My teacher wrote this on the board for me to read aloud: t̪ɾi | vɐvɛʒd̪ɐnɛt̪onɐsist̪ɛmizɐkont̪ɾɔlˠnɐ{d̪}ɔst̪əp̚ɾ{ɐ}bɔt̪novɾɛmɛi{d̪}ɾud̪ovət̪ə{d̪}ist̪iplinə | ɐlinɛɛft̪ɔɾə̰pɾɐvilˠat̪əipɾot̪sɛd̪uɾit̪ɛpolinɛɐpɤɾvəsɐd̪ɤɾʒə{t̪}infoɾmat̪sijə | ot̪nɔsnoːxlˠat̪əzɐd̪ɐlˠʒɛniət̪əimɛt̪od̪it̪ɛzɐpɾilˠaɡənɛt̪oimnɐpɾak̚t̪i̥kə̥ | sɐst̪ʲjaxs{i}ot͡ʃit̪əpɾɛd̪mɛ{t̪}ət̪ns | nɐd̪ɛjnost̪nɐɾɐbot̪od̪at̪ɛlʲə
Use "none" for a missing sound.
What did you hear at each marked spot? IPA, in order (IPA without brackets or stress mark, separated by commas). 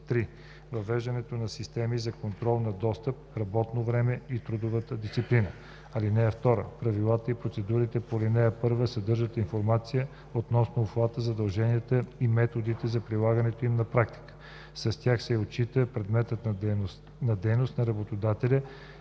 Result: d̪, ɐ, t̪, d̪, t̪, ɛ, t̪